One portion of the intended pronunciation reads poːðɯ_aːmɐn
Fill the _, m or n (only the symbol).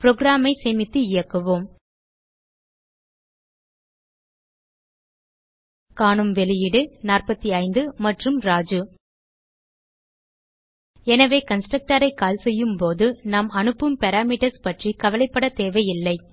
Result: n